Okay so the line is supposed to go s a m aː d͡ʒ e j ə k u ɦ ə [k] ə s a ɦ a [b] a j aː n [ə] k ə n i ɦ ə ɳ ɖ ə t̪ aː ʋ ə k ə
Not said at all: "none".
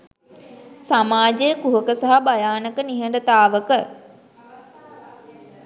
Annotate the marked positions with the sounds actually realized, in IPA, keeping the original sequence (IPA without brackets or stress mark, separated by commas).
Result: k, b, ə